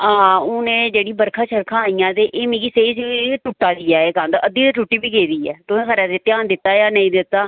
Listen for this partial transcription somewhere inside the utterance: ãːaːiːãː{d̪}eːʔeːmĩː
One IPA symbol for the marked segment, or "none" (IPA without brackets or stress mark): t̪